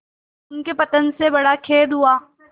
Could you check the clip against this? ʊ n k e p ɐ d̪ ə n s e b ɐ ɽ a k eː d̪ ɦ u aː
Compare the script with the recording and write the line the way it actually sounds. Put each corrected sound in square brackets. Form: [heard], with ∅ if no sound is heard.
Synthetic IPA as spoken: ʊ n k e p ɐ [t̪] ə n s e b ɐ ɽ a [kʰ] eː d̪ ɦ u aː